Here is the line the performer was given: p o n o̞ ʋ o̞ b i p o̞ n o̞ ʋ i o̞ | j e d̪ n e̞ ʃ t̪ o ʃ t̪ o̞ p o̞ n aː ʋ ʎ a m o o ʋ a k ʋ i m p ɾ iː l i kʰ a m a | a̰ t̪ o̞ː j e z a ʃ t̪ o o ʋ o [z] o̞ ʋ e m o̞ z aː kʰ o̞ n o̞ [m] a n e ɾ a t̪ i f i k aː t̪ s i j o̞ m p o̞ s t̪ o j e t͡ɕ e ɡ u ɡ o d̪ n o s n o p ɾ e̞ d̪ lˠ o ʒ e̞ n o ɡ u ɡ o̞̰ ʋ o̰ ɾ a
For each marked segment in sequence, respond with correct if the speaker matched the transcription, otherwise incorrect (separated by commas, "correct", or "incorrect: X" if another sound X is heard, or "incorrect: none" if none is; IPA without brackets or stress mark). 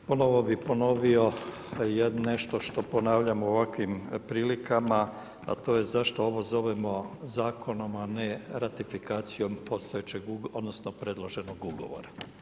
correct, correct